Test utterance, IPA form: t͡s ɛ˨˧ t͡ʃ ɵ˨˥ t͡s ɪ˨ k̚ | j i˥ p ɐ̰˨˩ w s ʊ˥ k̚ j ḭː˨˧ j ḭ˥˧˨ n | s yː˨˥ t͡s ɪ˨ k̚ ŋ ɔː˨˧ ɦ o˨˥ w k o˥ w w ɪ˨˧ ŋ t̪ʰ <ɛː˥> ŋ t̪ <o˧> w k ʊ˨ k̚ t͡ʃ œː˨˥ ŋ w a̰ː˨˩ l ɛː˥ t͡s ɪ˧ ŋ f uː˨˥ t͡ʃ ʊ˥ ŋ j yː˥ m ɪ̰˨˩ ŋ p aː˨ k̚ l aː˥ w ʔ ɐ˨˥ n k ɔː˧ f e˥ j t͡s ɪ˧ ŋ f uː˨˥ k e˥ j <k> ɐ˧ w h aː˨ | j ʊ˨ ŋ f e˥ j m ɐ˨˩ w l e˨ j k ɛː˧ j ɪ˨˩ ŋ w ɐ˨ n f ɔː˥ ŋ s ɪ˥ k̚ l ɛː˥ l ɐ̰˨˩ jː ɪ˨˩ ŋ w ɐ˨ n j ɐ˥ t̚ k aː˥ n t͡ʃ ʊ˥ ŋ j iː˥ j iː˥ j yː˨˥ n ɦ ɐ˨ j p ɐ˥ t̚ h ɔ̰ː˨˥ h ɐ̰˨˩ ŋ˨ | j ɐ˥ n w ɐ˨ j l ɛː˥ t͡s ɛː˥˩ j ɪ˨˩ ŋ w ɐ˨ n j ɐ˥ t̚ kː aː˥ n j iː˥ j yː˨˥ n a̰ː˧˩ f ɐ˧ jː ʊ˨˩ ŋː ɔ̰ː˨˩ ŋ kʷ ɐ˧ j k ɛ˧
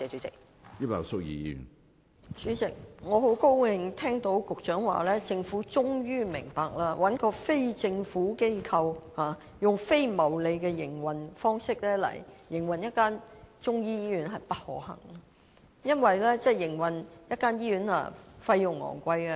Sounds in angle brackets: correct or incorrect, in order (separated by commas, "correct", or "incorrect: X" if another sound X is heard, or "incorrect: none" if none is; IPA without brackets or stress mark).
correct, incorrect: o˨˥, incorrect: kʰ